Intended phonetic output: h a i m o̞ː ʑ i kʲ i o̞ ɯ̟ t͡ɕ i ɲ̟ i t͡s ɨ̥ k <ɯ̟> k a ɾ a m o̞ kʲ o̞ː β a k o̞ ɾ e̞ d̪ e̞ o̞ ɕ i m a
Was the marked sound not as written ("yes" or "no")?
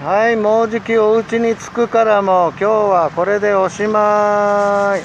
no